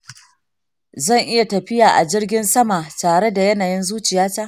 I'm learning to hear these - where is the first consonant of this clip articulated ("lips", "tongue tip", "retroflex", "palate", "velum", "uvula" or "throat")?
tongue tip